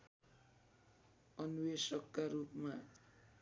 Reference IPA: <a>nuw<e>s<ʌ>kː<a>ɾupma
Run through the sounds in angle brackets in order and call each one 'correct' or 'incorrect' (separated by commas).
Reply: incorrect, correct, correct, correct